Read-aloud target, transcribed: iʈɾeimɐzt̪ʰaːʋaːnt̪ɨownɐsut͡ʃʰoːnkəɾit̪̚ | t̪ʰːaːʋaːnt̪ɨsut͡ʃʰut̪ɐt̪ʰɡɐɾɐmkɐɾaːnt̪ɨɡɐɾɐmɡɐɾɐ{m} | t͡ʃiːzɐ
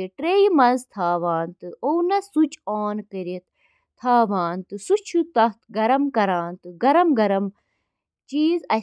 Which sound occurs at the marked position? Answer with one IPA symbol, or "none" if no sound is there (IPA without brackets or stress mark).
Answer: m